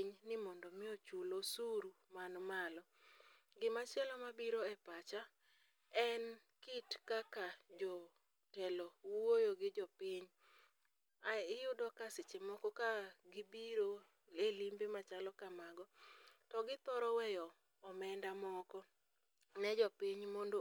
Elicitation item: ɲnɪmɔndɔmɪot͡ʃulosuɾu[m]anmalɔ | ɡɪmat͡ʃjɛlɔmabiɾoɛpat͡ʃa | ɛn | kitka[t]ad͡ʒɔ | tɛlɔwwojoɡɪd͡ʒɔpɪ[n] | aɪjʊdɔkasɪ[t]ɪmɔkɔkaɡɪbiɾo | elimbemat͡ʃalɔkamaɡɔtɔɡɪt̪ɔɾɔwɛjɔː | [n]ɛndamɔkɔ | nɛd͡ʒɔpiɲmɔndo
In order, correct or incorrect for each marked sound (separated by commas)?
correct, incorrect, incorrect, incorrect, incorrect